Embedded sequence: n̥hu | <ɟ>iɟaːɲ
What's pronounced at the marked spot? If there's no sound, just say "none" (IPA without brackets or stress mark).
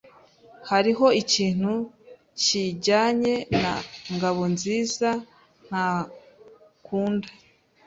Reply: c